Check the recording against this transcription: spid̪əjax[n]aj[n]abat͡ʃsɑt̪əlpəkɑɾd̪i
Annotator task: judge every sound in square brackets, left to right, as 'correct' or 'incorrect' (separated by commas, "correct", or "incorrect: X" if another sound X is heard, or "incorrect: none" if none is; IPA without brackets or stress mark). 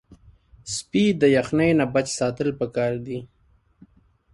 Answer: correct, correct